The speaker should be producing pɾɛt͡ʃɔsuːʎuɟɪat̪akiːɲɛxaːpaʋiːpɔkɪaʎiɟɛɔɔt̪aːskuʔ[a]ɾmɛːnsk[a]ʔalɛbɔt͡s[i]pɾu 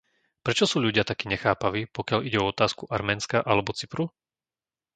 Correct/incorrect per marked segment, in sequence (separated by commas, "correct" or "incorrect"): correct, correct, correct